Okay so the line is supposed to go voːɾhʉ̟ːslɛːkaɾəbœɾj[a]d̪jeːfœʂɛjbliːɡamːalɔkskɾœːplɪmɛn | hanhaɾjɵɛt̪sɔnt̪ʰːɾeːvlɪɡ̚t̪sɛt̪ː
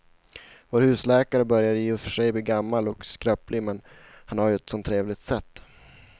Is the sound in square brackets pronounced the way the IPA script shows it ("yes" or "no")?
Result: yes